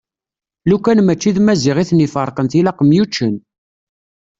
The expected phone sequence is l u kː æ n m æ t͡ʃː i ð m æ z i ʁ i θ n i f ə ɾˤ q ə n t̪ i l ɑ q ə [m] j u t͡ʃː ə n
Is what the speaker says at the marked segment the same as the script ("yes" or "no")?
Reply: yes